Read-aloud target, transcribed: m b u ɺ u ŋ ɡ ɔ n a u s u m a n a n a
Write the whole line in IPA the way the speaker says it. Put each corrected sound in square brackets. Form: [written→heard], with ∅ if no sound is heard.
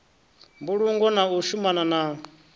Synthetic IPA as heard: m b u ɺ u ŋ ɡ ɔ n a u [s→ʃ] u m a n a n a

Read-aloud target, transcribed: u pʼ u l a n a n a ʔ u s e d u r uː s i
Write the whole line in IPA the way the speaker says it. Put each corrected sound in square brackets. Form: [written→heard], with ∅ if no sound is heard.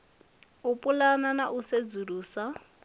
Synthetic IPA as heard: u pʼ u l a n a n a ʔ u s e [d→d͡z] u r uː s [i→a]

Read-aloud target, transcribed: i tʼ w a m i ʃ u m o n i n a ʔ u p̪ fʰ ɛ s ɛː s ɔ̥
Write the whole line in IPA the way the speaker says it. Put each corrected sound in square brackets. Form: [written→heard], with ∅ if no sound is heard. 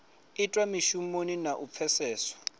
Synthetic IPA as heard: i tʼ w a m i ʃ u m o n i n a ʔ u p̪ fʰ ɛ s ɛː s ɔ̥

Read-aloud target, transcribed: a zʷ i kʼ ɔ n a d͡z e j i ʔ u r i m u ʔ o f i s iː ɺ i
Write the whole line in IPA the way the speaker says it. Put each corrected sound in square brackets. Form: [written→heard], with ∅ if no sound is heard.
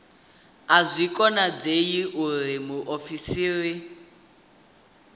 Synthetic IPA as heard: a zʷ i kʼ ɔ n a d͡z e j i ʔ u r i m u ʔ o f i s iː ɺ i

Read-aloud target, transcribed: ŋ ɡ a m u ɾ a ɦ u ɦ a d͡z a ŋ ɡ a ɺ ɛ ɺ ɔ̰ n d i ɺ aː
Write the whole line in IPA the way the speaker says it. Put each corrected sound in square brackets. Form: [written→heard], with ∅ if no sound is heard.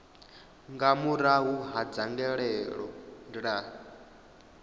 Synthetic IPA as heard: ŋ ɡ a m u ɾ a ɦ u ɦ a d͡z a ŋ ɡ [a→ɛ] ɺ ɛ ɺ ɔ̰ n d i ɺ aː

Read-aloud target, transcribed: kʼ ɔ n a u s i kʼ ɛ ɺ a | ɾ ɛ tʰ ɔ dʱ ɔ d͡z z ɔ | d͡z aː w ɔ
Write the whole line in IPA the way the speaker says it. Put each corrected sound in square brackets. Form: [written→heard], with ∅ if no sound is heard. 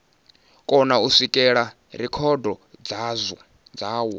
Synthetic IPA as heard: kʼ ɔ n a u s i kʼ ɛ ɺ a | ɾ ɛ [tʰ→kʰ] ɔ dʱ ɔ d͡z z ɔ | d͡z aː w ɔ

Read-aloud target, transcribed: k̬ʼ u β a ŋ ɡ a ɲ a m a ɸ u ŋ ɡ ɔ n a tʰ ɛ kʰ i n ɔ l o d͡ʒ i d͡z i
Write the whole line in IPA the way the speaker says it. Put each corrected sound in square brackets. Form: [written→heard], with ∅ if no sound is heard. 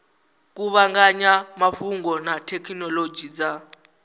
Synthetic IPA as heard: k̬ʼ u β a ŋ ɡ a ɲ a m a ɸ u ŋ ɡ ɔ n a tʰ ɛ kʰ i n ɔ l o d͡ʒ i d͡z [i→a]

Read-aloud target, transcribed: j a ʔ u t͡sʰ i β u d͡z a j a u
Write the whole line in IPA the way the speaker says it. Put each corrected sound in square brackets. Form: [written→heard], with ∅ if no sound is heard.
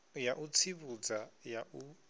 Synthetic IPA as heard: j a ʔ u t͡sʰ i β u d͡z a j a u

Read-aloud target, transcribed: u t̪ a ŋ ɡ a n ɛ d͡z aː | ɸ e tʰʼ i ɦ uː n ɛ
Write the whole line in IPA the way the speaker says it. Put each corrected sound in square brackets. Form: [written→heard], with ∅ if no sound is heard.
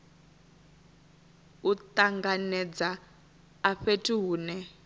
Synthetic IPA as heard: u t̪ a ŋ ɡ a n ɛ d͡z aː | ɸ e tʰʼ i ɦ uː n ɛ

